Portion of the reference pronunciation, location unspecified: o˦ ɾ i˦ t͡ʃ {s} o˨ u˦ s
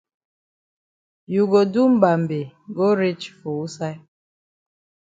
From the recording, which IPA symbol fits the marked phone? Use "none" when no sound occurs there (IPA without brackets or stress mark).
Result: f